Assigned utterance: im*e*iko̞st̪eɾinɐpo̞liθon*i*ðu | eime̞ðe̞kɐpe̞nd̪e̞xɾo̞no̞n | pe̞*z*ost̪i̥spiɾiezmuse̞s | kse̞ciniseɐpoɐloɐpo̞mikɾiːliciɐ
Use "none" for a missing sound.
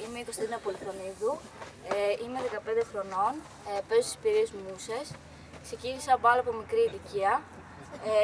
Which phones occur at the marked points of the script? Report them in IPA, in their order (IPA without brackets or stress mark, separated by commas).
e, i, z